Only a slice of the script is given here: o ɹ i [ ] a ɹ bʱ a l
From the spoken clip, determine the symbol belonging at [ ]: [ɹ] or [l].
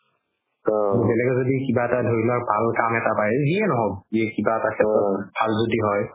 l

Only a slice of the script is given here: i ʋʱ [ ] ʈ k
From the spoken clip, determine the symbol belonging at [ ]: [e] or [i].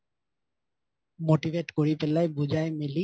e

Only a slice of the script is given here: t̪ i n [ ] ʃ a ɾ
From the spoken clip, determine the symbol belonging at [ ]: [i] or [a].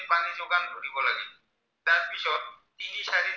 i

